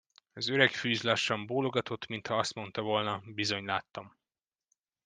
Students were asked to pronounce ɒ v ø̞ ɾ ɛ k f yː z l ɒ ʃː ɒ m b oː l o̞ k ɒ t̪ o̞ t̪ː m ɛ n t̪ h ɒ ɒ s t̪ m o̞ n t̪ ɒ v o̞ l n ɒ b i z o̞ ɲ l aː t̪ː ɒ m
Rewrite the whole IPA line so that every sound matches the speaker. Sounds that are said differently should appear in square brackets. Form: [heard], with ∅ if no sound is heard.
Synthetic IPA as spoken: ɒ [z] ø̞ ɾ ɛ k f yː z l ɒ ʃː ɒ m b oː l o̞ [ɡ] ɒ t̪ o̞ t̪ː m [i] n t̪ h ɒ ɒ s t̪ m o̞ n t̪ ɒ v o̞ l n ɒ b i z o̞ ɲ l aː t̪ː ɒ m